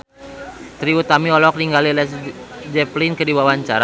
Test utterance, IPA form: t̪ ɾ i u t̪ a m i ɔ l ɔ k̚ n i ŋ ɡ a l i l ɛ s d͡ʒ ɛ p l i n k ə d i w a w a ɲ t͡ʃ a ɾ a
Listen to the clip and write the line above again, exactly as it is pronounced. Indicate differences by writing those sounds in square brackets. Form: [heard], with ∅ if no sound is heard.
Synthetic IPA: t̪ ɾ i u t̪ a m i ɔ l ɔ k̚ n i ŋ ɡ a l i l ɛ s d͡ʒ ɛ p l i n k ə d i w a w a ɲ t͡ʃ a ɾ a